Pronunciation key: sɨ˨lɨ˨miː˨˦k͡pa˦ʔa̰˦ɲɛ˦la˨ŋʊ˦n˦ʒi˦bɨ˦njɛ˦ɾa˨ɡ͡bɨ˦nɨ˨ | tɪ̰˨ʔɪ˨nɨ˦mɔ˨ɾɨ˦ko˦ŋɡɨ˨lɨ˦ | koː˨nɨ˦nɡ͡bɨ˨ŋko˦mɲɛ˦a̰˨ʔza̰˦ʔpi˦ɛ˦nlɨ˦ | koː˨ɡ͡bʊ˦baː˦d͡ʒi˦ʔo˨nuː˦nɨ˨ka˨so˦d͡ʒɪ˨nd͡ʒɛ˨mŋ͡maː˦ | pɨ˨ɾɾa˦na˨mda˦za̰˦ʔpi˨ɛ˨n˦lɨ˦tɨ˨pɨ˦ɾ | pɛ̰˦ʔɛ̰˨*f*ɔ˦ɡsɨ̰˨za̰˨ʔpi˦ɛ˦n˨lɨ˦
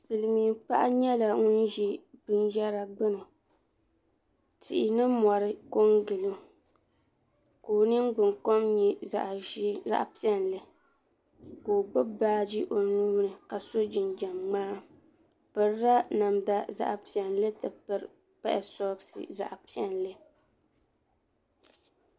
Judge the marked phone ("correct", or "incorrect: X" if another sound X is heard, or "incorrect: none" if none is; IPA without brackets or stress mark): incorrect: s